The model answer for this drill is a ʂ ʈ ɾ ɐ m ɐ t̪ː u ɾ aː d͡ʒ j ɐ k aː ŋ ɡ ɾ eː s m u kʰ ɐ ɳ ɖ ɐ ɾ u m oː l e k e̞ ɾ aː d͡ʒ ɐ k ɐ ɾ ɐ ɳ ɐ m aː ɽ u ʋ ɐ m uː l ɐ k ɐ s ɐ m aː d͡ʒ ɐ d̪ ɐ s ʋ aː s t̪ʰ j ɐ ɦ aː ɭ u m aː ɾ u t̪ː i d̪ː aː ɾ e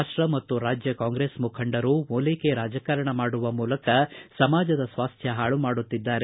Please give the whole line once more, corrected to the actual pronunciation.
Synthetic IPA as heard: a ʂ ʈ ɾ ɐ m ɐ t̪ː u ɾ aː d͡ʒ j ɐ k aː ŋ ɡ ɾ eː s m u kʰ ɐ ɳ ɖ ɐ ɾ u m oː l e k e̞ ɾ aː d͡ʒ ɐ k ɐ ɾ ɐ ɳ ɐ m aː ɽ u ʋ ɐ m uː l ɐ k ɐ s ɐ m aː d͡ʒ ɐ d̪ ɐ s ʋ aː s t̪ʰ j ɐ ɦ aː ɭ u m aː ɽ u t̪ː i d̪ː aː ɾ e